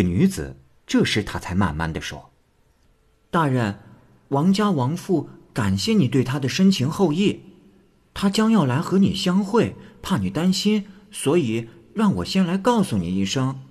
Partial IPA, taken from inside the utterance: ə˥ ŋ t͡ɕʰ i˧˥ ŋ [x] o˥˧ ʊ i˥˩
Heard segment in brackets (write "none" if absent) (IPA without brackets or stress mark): x